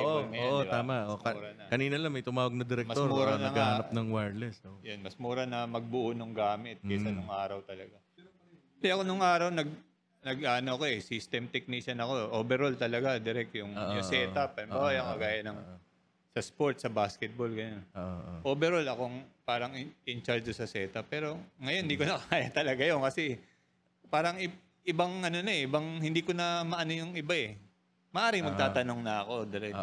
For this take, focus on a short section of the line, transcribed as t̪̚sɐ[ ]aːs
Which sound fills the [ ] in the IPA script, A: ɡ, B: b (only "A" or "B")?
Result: B